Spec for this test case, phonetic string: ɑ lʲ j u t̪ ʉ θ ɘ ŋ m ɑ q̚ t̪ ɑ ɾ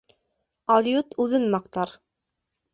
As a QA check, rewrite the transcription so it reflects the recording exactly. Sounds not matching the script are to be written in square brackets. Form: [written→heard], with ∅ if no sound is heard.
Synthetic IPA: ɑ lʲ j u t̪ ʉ [θ→ð] ɘ [ŋ→n] m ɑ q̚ t̪ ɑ ɾ